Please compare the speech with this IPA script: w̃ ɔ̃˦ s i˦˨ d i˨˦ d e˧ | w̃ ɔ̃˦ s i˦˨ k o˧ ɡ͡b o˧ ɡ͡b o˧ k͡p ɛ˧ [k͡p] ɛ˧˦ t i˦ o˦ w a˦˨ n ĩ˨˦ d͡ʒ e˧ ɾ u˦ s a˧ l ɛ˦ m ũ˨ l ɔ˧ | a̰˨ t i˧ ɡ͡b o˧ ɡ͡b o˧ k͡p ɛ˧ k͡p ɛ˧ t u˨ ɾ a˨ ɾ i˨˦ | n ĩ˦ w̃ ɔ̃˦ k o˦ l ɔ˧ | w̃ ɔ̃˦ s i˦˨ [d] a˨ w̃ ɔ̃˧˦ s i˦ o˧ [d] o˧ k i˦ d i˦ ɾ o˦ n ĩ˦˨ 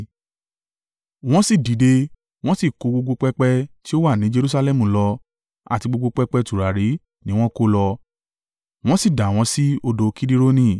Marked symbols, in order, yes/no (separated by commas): yes, yes, yes